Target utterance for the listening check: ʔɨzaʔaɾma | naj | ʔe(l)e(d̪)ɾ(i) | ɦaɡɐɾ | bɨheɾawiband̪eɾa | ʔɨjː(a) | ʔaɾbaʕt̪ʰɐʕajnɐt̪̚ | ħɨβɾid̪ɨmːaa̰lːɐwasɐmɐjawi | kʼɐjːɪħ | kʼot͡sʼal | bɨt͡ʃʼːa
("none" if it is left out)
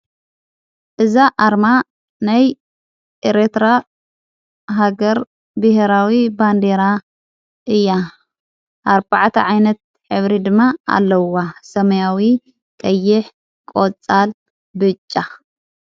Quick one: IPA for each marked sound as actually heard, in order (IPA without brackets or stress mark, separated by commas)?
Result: ɾ, t̪, a, a